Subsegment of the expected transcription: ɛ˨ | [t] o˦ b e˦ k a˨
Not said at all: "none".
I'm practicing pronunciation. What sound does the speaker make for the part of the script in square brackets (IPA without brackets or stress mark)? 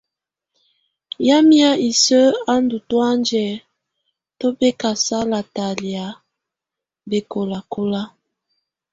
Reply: t